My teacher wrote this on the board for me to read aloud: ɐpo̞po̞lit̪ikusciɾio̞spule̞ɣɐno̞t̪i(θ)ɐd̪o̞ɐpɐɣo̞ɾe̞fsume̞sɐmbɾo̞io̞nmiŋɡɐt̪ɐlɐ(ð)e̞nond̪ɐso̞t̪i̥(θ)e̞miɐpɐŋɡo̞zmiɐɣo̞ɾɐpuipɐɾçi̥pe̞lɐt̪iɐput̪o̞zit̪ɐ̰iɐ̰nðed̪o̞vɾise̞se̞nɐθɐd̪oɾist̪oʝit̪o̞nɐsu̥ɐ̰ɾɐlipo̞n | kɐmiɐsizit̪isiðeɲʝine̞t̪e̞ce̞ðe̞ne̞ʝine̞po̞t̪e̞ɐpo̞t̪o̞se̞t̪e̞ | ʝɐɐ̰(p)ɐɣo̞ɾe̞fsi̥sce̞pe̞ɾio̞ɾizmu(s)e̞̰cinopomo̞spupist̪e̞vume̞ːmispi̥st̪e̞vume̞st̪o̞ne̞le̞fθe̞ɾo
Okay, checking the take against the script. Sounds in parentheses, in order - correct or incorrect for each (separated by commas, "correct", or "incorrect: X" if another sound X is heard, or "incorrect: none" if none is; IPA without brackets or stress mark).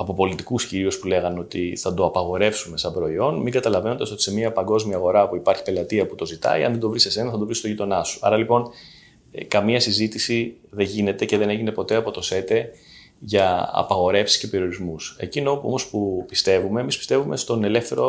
correct, incorrect: v, incorrect: s, correct, correct